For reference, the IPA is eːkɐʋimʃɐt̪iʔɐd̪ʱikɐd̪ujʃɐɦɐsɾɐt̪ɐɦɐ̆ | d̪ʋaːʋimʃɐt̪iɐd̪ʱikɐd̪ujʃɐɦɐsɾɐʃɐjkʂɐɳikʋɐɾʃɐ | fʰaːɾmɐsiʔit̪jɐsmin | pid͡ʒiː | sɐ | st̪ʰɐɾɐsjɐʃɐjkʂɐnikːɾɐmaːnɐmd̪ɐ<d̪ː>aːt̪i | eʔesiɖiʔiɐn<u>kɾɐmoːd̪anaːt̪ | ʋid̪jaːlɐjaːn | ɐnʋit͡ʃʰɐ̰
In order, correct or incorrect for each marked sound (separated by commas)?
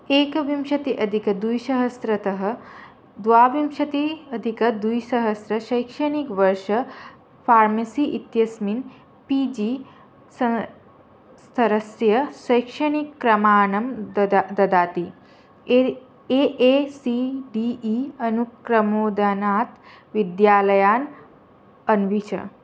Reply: incorrect, correct